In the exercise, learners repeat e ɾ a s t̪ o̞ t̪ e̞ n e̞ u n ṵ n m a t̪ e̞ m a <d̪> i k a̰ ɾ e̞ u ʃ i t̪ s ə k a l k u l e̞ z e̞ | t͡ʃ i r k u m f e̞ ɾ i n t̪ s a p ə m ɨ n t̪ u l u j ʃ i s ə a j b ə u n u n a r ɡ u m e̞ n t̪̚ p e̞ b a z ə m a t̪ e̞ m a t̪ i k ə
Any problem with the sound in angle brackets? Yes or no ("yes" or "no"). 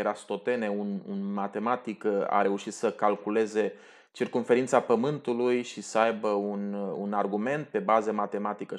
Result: yes